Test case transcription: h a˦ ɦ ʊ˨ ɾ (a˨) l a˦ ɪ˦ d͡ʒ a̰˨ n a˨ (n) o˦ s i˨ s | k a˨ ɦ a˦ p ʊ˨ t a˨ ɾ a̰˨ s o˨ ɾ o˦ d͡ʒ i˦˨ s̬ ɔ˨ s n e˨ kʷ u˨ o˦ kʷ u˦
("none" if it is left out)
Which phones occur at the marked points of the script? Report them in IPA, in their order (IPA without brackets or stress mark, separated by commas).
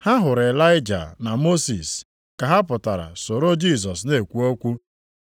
e˨, m